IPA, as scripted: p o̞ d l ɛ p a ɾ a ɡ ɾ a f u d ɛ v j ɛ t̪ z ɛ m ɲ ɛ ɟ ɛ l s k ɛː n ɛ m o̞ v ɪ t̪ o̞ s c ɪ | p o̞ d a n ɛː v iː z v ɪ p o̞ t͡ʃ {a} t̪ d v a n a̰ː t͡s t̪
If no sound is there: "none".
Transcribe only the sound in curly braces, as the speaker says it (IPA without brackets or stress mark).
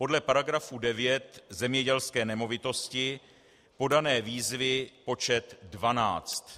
ɛ